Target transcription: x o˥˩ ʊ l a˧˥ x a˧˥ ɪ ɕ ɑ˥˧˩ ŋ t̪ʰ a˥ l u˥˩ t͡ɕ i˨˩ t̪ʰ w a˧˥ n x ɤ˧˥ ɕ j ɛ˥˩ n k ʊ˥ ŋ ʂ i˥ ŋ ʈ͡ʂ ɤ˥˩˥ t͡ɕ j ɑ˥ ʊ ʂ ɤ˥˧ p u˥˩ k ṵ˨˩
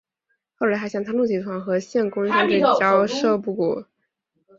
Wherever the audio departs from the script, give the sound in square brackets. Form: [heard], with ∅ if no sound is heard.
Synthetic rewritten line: x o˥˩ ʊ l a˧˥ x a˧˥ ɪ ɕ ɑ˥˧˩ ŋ t̪ʰ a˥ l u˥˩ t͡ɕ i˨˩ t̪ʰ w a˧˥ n x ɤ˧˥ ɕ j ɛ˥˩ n k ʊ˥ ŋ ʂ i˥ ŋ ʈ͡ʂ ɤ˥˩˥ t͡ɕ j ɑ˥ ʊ ʂ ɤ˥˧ p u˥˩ k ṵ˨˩